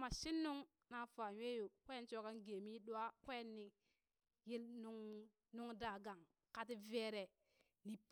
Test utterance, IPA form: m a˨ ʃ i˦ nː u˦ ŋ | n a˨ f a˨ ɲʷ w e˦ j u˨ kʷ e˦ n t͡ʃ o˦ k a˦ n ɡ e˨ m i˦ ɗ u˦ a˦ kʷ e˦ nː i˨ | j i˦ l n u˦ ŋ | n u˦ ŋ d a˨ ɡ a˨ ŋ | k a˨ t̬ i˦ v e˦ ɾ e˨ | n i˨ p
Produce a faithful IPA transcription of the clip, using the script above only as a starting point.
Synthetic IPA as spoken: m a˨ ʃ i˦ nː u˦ ŋ | n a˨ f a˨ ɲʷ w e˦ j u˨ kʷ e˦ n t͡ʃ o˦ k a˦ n ɡ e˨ m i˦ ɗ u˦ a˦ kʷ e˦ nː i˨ | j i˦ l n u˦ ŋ | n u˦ ŋ d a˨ ɡ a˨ ŋ | k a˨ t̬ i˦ v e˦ ɾ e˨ | n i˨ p

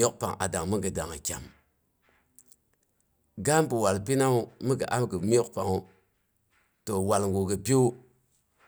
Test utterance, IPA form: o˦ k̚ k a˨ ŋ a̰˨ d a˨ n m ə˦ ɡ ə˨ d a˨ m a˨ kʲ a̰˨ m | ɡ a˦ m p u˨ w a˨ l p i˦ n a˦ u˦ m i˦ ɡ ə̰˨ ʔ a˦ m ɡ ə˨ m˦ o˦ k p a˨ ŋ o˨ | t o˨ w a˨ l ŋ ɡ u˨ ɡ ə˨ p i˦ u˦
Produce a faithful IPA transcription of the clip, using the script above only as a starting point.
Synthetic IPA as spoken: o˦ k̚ p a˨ ŋ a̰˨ d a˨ ŋ m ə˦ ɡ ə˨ d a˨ ŋ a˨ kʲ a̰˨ m | ɡ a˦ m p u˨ w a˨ l p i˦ n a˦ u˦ m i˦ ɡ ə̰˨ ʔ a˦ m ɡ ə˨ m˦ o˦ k p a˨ ŋ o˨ | t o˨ w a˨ l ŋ ɡ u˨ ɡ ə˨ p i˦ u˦

